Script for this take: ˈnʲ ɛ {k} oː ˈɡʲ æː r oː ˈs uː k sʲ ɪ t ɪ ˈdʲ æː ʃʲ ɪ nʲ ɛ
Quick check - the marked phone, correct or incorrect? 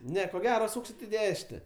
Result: correct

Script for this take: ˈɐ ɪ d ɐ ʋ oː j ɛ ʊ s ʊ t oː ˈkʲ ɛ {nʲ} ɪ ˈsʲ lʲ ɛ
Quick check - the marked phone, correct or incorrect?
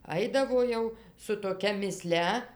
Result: incorrect: mʲ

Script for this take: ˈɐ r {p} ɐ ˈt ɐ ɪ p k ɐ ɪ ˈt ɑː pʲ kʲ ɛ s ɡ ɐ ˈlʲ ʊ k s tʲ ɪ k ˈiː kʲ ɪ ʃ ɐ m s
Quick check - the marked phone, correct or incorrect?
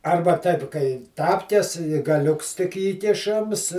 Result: incorrect: b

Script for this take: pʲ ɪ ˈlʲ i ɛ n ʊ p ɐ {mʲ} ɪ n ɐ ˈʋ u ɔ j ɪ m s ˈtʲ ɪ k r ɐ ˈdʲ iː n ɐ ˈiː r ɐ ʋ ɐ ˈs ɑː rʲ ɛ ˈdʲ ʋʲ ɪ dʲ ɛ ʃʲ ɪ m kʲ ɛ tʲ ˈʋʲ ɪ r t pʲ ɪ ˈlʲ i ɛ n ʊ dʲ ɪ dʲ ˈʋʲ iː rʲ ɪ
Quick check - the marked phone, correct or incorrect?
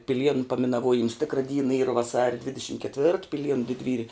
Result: correct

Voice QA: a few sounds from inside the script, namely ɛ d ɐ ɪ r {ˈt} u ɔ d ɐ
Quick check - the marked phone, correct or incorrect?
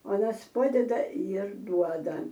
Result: incorrect: d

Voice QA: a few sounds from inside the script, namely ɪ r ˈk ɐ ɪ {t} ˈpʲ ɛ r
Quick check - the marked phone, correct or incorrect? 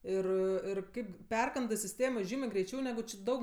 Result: incorrect: p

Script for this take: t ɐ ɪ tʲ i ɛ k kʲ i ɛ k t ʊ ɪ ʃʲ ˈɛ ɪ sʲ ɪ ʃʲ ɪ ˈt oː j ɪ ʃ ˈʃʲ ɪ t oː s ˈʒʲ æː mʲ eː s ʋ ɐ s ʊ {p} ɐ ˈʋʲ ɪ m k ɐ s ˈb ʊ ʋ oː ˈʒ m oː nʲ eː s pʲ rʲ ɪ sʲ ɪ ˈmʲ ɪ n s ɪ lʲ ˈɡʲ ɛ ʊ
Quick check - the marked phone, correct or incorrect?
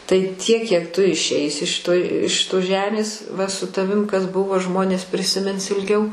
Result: incorrect: t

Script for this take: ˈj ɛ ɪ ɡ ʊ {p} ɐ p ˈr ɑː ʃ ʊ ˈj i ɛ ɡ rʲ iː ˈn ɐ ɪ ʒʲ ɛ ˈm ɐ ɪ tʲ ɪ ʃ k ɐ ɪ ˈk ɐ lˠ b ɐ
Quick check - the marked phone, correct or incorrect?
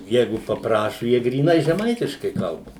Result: correct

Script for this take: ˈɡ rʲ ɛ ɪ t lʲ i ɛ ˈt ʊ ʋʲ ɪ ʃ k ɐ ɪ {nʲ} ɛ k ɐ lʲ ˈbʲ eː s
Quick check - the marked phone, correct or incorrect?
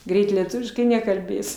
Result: correct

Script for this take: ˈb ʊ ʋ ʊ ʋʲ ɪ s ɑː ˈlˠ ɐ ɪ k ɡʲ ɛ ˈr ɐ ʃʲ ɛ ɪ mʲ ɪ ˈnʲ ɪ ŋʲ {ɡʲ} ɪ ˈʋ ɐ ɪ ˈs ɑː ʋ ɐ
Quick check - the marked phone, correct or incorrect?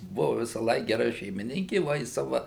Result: incorrect: kʲ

